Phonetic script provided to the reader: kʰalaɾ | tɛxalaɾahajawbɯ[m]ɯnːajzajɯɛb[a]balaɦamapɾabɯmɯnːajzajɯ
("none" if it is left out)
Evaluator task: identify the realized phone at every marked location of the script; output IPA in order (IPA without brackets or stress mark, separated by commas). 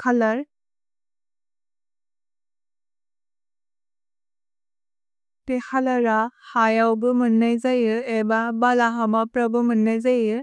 m, a